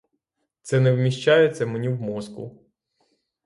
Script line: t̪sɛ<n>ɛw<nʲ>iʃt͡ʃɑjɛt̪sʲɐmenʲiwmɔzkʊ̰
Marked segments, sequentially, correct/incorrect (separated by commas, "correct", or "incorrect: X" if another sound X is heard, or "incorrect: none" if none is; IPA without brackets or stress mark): correct, incorrect: mʲ